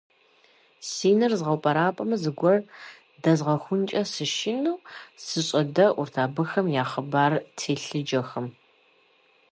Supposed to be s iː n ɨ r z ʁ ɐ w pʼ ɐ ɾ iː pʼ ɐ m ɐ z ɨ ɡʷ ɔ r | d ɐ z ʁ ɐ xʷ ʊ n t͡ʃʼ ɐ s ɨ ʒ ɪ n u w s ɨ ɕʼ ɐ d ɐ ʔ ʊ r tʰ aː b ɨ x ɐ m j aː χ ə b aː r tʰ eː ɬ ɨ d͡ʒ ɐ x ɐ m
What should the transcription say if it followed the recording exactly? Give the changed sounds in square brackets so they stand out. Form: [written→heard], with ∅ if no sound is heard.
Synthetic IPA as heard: s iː n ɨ r z ʁ ɐ w pʼ ɐ ɾ [iː→aː] pʼ ɐ m ɐ z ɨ ɡʷ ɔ r | d ɐ z ʁ ɐ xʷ ʊ n t͡ʃʼ ɐ s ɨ [ʒ→ʃ] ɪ n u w s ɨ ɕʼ ɐ d ɐ ʔ ʊ r tʰ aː b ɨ x ɐ m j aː χ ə b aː r tʰ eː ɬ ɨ d͡ʒ ɐ x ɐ m